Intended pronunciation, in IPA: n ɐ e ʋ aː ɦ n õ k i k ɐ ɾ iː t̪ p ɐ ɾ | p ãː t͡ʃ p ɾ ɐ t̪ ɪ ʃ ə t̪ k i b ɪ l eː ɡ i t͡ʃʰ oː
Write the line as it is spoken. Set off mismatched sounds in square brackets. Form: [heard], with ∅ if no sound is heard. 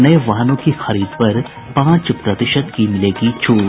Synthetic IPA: n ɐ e ʋ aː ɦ n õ k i [x] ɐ ɾ iː [d̪] p ɐ ɾ | p ãː t͡ʃ p ɾ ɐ t̪ ɪ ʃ ə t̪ k i [m] ɪ l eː ɡ i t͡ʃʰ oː